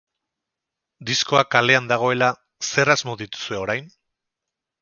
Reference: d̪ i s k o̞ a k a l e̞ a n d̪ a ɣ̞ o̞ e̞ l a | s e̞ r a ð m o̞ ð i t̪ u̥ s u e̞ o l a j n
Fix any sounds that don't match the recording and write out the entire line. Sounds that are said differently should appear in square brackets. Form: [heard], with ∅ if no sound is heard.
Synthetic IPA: d̪ i s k o̞ a k a l e̞ a n d̪ a ɣ̞ o̞ e̞ l a | s e̞ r a [z] m o̞ ð i t̪ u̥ s u e̞ o [ɾ] a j n